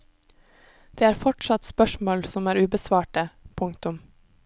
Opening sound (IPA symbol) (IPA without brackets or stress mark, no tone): d̪̥